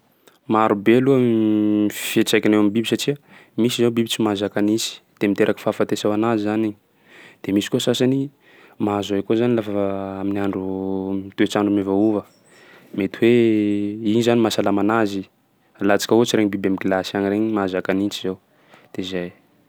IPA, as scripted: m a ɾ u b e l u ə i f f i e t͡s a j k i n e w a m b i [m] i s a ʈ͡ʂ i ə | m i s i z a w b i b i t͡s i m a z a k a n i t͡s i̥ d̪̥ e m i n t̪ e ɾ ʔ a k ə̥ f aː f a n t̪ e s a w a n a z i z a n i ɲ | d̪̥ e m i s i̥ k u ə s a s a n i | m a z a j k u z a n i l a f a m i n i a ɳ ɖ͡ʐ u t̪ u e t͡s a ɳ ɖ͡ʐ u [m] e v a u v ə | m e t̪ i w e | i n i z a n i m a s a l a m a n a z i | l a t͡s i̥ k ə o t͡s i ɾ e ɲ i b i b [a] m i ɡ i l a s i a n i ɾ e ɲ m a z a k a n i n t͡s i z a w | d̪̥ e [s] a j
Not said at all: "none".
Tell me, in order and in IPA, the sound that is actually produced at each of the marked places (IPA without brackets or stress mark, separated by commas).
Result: b, m, a, z